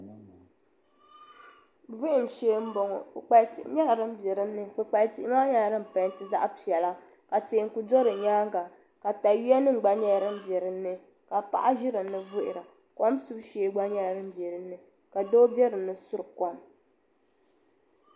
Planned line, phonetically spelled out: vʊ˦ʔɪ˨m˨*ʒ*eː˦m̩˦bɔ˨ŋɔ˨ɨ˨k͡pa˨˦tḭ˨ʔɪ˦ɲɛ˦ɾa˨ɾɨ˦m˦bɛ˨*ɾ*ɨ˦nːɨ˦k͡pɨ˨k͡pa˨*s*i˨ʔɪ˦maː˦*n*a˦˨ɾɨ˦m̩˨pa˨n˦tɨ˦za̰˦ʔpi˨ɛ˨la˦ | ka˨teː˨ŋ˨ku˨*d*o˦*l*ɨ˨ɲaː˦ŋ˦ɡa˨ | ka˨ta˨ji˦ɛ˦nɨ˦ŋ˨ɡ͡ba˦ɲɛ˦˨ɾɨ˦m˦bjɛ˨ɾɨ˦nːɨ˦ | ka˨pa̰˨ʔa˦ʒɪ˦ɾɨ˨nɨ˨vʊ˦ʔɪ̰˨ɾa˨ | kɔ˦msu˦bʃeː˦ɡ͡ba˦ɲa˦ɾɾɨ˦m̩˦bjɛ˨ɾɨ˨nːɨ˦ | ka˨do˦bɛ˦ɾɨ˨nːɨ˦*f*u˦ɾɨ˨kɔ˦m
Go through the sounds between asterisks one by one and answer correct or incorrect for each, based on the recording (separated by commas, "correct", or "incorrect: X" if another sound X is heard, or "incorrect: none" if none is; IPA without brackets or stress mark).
incorrect: ʃ, correct, incorrect: t, incorrect: ɲ, correct, incorrect: ɾ, incorrect: s